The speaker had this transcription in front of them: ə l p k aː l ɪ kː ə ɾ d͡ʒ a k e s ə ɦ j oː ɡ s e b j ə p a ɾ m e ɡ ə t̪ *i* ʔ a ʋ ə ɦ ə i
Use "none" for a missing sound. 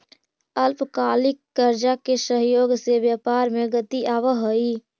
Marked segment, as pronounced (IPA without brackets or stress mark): i